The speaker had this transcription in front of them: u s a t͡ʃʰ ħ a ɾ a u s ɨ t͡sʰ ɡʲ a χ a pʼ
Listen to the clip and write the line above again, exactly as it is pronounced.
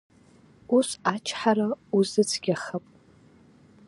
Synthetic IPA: u s a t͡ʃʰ ħ a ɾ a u z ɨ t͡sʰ ɡʲ a χ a pʼ